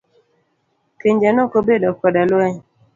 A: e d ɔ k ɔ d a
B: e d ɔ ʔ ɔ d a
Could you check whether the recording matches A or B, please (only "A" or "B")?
A